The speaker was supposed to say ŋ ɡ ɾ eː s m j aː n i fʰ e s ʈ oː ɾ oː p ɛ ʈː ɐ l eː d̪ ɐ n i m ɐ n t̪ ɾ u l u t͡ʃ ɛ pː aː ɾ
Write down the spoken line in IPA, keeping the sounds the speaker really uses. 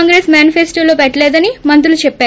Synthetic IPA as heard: ŋ ɡ ɾ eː s m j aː n i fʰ e s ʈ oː l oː p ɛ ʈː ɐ l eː d̪ ɐ n i m ɐ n t̪ ɾ u l u t͡ʃ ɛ pː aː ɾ